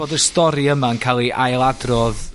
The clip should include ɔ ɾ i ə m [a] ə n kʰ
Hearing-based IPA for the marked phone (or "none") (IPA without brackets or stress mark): a